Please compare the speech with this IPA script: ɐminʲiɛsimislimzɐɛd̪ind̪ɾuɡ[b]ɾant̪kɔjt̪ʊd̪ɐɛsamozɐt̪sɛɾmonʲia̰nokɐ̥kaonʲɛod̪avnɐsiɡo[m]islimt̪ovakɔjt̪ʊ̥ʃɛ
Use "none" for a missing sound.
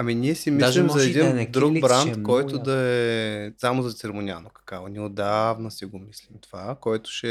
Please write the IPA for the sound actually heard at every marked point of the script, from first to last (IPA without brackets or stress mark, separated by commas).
b, m